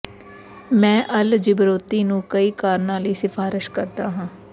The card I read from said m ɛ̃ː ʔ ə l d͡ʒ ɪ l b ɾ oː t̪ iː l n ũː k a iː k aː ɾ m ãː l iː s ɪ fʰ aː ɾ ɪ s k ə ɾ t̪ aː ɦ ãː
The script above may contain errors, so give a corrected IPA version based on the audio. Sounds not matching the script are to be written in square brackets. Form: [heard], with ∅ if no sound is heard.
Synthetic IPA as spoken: m ɛ̃ː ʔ ə l d͡ʒ ɪ [∅] b ɾ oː t̪ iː [∅] n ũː k [ə] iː k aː ɾ [n] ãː l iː s ɪ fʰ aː ɾ ɪ [ʃ] k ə ɾ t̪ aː ɦ ãː